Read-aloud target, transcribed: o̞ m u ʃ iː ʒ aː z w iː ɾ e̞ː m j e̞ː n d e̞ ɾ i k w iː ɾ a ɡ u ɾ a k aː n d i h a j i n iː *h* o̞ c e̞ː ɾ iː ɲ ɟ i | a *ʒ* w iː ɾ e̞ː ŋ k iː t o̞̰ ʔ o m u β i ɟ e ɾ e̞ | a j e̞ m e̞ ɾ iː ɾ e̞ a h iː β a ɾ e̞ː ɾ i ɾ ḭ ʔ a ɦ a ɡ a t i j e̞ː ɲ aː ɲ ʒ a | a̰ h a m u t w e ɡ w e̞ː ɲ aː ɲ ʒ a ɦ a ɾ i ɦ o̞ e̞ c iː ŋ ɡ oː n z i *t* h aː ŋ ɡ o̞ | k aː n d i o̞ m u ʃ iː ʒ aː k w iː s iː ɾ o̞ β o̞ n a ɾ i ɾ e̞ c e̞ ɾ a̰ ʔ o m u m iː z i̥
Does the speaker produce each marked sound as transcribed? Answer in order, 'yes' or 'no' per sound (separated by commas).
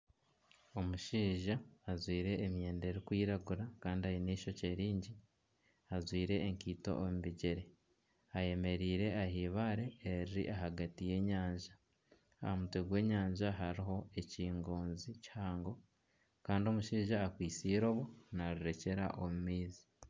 no, no, no